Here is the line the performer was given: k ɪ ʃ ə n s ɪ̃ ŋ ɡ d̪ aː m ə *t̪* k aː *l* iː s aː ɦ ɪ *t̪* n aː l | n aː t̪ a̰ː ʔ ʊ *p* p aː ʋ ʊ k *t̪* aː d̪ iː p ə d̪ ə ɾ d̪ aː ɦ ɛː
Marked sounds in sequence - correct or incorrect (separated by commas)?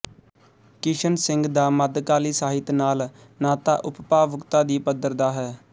incorrect, correct, correct, correct, correct